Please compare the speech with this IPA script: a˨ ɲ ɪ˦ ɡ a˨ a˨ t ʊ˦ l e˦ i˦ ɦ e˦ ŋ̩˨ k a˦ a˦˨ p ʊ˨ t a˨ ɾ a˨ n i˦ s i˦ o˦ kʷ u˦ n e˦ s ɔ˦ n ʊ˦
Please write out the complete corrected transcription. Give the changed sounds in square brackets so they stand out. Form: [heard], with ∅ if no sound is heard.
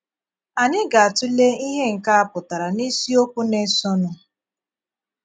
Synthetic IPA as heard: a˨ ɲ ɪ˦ ɡ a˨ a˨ t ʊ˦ l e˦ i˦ ɦ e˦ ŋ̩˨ k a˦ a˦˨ p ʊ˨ t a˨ ɾ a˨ n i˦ s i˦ o˦ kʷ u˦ n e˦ s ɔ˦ n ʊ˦